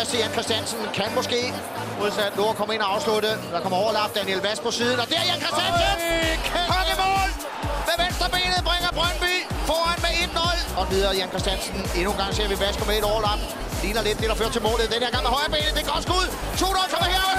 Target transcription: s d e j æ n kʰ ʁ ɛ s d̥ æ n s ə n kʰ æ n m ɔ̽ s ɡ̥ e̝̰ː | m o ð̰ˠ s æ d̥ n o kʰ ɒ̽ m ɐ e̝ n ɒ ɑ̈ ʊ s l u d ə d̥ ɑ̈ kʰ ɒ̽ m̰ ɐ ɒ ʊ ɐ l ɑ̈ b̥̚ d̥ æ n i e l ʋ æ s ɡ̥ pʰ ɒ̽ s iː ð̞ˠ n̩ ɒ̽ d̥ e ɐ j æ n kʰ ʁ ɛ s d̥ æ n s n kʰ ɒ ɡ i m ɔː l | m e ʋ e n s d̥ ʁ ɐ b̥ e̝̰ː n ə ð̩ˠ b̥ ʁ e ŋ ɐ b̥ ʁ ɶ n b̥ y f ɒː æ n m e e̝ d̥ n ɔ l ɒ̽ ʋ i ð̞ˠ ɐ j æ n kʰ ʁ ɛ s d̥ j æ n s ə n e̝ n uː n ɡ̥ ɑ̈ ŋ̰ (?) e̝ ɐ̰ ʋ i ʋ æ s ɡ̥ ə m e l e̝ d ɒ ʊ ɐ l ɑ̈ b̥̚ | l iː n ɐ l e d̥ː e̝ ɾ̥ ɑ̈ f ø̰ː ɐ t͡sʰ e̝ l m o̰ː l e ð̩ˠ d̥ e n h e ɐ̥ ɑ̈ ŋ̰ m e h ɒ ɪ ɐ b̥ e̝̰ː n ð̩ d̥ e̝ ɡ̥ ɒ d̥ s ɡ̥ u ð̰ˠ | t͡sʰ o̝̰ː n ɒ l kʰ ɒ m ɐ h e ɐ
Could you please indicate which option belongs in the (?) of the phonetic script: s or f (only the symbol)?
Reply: s